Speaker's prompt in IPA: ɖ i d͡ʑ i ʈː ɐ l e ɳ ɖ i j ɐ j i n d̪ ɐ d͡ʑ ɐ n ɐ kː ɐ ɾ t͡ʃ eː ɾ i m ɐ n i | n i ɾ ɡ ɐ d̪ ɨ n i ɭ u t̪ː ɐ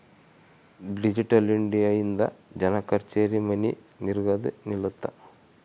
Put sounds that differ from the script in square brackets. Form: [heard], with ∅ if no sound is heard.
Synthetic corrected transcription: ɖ i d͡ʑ i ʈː ɐ l [i] ɳ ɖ i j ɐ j i n d̪ ɐ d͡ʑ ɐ n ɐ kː ɐ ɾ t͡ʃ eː ɾ i m ɐ n i | n i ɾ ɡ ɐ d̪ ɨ n i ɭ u t̪ː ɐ

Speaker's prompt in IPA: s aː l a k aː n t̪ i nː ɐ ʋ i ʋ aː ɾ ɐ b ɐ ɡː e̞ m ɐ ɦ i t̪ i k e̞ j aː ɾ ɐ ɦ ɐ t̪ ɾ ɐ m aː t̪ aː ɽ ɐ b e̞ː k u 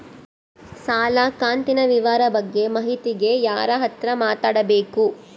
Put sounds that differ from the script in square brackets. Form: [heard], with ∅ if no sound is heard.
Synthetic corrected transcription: s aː l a k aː n t̪ i [n] ɐ ʋ i ʋ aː ɾ ɐ b ɐ ɡː e̞ m ɐ ɦ i t̪ i [ɡ] e̞ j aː ɾ ɐ ɦ ɐ t̪ ɾ ɐ m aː t̪ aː ɽ ɐ b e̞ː k u

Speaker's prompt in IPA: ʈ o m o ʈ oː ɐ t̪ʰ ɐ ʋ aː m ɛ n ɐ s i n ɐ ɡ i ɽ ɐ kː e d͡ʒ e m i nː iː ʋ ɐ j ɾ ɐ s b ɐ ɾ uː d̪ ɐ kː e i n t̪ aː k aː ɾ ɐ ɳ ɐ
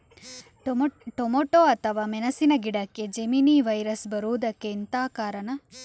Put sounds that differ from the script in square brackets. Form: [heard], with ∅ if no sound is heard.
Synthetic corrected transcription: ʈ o m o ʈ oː ɐ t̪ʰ ɐ ʋ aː m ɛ n ɐ s i n ɐ ɡ i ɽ ɐ kː e d͡ʒ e m i [n] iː ʋ ɐ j ɾ ɐ s b ɐ ɾ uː d̪ ɐ kː e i n t̪ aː k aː ɾ ɐ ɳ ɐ

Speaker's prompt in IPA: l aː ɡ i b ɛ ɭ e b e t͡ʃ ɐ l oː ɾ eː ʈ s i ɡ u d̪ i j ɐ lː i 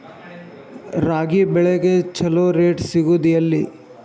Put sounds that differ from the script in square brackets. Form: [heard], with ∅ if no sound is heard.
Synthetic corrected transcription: [ɾ] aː ɡ i b ɛ ɭ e [ɡ] e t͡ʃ ɐ l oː ɾ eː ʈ s i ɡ u d̪ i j ɐ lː i

